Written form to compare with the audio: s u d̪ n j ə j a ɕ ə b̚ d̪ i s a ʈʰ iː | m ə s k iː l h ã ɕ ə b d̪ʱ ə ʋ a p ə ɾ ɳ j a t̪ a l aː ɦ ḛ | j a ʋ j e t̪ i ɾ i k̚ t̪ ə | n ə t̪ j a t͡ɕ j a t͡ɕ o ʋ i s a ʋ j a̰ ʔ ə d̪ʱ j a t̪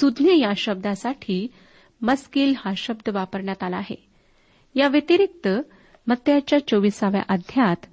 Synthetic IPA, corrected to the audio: s u d̪ n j ə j a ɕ ə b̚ d̪ a s a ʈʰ iː | m ə s k iː l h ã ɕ ə b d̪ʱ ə ʋ a p ə ɾ ɳ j a t̪ a l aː ɦ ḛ | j a ʋ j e t̪ i ɾ i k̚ t̪ ə | m ə t̪ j a t͡ɕ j a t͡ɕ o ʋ i s a ʋ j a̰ ʔ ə d̪ʱ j a t̪